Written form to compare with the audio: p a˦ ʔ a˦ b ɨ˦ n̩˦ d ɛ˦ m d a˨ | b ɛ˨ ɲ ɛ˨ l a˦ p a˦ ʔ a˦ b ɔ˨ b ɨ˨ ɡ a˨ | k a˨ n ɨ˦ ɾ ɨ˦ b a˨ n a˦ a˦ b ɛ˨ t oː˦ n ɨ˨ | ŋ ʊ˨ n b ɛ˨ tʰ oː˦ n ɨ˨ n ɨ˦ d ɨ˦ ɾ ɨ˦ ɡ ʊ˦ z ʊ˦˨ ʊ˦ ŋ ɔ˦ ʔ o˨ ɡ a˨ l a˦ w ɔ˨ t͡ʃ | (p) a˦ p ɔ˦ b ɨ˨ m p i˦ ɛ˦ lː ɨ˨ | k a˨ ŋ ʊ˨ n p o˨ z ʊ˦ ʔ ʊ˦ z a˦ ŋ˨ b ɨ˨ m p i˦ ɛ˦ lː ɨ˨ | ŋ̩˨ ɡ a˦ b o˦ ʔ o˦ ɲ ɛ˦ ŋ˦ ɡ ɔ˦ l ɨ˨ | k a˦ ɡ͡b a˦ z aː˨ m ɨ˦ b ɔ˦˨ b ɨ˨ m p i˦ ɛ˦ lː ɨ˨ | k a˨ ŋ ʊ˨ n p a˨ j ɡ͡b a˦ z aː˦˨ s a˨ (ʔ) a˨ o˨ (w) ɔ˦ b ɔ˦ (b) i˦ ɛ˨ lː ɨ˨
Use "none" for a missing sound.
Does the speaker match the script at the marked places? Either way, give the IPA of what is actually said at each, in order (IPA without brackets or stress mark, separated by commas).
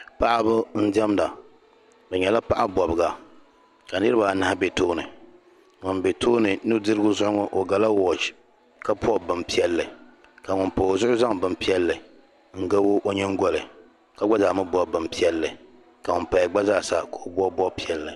k, k, b, p